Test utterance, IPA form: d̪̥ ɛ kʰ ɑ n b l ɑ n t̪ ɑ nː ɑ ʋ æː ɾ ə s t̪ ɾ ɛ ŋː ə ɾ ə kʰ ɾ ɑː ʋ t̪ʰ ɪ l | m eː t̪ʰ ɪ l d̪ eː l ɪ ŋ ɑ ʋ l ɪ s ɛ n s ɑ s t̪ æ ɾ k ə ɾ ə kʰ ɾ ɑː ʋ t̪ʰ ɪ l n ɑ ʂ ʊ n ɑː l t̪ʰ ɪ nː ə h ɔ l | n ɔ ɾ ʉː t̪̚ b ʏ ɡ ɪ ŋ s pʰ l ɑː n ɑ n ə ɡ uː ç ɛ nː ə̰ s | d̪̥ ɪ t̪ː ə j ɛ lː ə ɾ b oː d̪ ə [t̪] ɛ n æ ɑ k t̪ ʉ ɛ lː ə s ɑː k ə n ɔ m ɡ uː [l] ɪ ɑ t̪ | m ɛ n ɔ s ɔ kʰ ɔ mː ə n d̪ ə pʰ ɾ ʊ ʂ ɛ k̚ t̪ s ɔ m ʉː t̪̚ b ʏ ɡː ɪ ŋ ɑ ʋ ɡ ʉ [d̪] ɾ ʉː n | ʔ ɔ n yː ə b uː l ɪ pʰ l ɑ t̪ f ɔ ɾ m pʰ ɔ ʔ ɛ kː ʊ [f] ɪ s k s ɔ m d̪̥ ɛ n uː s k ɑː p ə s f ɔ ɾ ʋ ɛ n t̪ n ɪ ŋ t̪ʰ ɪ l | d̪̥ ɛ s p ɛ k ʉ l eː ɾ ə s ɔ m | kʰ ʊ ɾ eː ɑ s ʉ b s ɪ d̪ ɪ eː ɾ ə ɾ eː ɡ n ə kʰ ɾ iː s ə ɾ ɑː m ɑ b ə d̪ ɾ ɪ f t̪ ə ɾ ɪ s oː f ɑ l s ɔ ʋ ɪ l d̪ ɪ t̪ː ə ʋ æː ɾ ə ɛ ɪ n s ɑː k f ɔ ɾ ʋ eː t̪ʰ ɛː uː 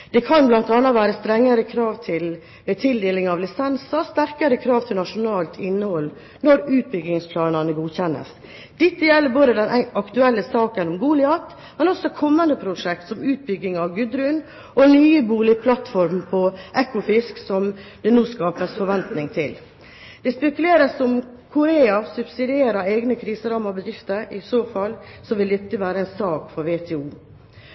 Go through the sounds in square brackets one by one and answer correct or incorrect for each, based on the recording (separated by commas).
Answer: incorrect, correct, correct, correct